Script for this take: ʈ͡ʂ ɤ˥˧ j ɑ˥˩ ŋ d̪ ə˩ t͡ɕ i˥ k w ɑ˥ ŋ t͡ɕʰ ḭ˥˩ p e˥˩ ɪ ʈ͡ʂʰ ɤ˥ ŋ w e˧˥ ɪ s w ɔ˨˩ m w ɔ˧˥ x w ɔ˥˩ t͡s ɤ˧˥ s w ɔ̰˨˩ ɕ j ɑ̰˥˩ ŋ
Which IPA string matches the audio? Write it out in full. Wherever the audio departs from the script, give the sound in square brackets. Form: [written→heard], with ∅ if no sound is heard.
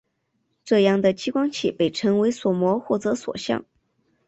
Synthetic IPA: ʈ͡ʂ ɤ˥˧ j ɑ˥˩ ŋ d̪ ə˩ t͡ɕ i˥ k w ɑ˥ ŋ t͡ɕʰ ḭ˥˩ p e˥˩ ɪ ʈ͡ʂʰ [ɤ˥→ɤ˧˥] ŋ w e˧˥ ɪ s w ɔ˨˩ m w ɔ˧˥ x w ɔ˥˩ t͡s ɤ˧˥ s w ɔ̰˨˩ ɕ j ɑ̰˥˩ ŋ